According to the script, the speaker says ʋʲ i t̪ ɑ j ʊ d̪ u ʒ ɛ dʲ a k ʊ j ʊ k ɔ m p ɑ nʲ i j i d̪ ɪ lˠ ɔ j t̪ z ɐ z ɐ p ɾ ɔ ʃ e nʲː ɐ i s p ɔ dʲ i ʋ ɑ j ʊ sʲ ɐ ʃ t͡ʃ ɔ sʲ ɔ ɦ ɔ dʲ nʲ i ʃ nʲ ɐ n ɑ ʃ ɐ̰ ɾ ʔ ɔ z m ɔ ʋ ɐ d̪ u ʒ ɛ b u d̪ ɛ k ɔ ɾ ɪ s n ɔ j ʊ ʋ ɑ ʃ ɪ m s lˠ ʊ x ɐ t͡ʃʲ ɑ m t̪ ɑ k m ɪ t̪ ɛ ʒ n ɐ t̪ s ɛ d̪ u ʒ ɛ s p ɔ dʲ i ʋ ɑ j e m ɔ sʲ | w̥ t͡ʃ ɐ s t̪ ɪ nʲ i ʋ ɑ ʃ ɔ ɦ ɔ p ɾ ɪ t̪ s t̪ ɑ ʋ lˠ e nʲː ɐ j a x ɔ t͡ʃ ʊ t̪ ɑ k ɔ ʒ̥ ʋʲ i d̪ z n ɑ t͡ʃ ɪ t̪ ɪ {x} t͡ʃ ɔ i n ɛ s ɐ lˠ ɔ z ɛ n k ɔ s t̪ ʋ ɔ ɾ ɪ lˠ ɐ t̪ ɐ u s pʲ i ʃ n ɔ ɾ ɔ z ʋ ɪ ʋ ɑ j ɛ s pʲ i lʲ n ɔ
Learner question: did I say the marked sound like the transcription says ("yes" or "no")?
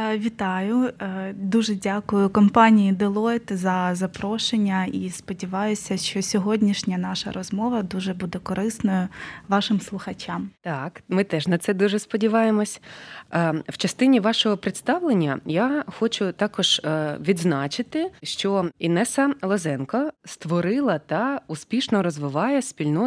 no